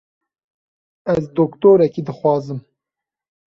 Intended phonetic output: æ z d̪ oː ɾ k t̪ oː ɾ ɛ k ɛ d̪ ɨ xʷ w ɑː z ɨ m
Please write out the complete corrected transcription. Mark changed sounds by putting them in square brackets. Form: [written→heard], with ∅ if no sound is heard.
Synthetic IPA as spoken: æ z d̪ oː [ɾ→∅] k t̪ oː ɾ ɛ k [ɛ→i] d̪ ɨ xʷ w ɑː z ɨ m